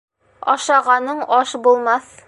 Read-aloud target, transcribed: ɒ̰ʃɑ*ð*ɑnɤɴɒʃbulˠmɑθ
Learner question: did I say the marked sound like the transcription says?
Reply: no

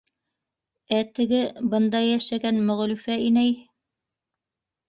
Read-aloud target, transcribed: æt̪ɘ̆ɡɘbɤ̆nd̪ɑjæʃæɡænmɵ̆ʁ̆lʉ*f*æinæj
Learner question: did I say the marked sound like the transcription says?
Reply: yes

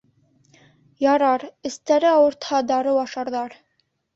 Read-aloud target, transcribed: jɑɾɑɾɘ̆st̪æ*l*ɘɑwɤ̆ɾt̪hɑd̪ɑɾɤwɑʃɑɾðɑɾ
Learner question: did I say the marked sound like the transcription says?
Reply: no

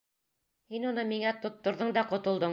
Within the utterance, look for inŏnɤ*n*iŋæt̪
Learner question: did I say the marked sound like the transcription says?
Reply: no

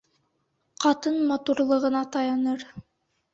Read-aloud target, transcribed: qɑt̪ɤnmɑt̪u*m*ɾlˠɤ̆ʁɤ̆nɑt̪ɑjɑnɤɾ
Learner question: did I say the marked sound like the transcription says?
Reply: no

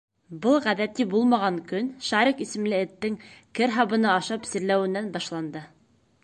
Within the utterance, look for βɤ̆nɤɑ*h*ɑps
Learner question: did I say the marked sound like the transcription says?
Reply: no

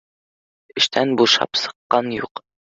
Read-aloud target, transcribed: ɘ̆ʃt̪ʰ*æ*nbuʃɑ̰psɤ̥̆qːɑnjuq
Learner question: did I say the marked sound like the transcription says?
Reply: yes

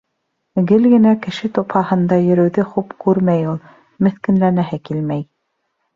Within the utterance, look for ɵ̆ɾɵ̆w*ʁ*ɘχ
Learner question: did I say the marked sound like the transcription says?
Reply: no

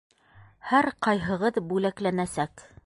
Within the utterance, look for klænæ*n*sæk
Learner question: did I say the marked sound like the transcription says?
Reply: no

